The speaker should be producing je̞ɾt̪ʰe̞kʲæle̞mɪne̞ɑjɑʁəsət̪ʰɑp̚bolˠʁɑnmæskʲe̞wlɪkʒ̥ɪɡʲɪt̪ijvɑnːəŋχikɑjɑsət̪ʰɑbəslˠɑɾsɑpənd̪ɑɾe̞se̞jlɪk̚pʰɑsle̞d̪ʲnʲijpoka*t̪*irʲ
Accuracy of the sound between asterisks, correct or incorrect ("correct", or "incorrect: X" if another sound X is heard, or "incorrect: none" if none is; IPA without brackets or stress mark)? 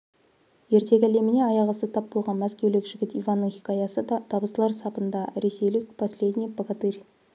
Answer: correct